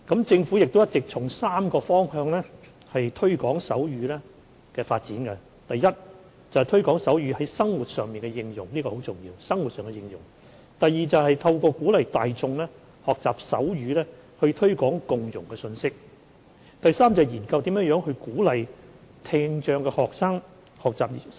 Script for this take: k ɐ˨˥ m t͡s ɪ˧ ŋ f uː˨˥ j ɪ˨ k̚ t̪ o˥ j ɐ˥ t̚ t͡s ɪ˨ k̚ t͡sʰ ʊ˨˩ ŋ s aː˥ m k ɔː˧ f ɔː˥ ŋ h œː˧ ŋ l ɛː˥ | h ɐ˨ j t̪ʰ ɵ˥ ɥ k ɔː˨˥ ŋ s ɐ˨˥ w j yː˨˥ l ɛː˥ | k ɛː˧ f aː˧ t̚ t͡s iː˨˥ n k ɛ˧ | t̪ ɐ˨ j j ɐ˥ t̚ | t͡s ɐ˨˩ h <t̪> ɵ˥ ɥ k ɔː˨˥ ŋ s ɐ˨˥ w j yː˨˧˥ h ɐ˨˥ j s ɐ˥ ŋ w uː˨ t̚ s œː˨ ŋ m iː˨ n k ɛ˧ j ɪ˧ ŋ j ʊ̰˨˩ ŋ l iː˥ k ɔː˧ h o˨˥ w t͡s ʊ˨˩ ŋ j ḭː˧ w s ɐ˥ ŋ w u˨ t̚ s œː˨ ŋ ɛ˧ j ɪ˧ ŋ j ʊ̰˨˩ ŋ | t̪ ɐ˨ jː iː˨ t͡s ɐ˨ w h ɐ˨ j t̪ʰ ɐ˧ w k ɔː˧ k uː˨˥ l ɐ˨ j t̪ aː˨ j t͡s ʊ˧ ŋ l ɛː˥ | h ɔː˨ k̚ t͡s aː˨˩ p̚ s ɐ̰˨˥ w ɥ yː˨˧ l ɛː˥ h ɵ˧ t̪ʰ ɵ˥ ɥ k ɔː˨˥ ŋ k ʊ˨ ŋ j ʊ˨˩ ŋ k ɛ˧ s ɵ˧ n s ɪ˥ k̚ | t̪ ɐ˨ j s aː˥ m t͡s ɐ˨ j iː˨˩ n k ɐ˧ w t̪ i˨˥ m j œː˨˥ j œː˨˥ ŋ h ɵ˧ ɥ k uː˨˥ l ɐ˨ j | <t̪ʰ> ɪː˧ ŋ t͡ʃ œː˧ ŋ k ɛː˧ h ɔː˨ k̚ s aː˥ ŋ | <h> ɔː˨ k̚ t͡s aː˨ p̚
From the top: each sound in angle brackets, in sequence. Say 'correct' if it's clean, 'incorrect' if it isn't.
incorrect: t̪ʰ, correct, correct

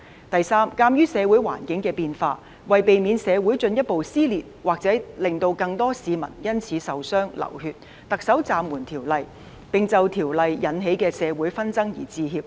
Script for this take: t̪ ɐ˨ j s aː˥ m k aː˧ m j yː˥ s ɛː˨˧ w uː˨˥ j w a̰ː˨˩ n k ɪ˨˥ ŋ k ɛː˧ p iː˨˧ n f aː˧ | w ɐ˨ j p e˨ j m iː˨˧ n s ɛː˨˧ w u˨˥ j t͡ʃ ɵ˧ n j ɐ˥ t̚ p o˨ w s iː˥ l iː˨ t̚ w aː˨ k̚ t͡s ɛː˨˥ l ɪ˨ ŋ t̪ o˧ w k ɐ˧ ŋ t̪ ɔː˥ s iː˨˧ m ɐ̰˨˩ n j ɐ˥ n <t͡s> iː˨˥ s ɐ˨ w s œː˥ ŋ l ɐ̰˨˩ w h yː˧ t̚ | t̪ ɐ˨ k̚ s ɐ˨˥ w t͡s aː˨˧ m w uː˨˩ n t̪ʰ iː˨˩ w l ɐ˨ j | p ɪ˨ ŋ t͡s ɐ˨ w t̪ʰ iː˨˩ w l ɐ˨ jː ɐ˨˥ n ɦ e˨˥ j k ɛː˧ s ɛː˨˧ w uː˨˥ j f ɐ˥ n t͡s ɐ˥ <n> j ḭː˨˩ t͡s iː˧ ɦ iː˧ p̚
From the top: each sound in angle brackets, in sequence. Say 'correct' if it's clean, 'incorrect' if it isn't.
incorrect: t͡sʰ, incorrect: ŋ

